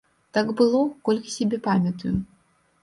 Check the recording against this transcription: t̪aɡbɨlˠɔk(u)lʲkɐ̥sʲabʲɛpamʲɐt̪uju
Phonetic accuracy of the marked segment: incorrect: ɔ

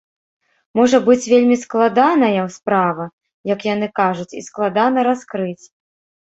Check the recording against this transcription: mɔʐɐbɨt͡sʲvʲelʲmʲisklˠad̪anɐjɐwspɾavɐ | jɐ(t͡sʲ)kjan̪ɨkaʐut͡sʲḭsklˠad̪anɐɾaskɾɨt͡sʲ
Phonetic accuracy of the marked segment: incorrect: none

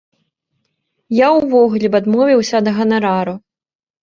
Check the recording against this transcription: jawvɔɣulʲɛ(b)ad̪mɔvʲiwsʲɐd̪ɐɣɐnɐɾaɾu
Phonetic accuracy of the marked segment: correct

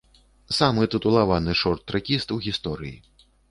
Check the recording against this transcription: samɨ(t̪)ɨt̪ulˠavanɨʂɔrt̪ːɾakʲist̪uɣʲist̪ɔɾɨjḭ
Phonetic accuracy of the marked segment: correct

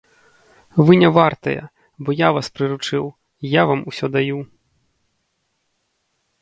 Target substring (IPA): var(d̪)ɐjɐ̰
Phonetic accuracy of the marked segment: incorrect: t̪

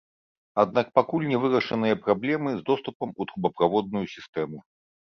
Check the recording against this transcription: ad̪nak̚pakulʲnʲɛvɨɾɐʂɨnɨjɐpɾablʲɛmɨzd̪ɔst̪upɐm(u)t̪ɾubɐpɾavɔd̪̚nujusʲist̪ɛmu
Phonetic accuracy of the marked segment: correct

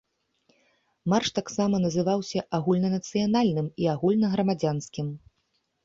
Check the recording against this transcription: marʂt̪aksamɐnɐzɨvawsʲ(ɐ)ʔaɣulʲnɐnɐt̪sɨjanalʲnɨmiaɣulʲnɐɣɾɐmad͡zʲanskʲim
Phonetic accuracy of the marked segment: correct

